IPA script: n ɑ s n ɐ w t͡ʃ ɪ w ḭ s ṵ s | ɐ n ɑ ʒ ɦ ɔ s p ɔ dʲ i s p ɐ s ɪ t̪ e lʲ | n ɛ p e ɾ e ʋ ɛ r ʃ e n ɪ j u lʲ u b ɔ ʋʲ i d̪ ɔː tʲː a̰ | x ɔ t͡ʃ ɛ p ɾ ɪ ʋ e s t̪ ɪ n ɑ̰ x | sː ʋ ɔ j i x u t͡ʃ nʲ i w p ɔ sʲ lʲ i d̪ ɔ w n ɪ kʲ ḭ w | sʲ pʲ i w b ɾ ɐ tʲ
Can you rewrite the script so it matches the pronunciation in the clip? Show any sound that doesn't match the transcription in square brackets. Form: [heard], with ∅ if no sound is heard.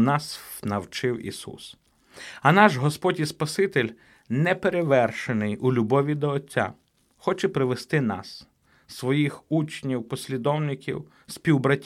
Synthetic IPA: n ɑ s n ɐ w t͡ʃ ɪ w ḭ s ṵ s | ɐ n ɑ ʒ ɦ ɔ s p ɔ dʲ i s p ɐ s ɪ t̪ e lʲ | n ɛ p e ɾ e ʋ ɛ r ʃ e n ɪ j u lʲ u b ɔ ʋʲ i d̪ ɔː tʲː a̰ | x ɔ t͡ʃ ɛ p ɾ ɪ ʋ e s t̪ ɪ n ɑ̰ [s] | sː ʋ ɔ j i x u t͡ʃ nʲ i w p ɔ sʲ lʲ i d̪ ɔ w n ɪ kʲ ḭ w | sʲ pʲ i w b ɾ ɐ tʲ